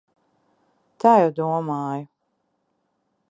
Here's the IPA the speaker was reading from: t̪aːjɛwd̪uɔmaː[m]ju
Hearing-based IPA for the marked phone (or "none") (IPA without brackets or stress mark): none